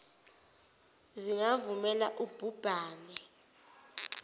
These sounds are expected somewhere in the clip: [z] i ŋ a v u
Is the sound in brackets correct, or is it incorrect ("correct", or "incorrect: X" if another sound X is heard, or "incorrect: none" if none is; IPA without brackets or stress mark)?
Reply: correct